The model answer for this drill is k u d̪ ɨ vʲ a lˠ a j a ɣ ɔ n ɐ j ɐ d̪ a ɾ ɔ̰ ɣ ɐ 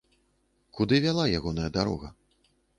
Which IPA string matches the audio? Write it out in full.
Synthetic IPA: k u d̪ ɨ vʲ a lˠ a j a ɣ ɔ n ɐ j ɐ d̪ a ɾ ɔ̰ ɣ ɐ